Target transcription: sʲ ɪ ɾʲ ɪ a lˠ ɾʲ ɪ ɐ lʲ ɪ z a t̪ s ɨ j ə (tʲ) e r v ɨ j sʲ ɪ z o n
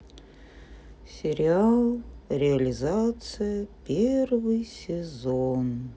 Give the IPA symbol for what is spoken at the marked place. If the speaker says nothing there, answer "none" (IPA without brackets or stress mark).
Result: pʲ